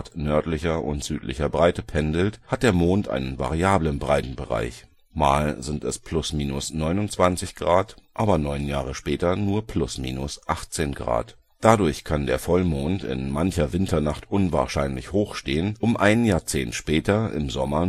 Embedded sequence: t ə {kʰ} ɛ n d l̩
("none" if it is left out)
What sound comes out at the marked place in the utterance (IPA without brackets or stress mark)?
pʰ